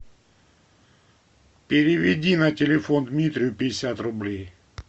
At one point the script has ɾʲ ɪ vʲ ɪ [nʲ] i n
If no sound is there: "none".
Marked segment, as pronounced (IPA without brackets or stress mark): dʲ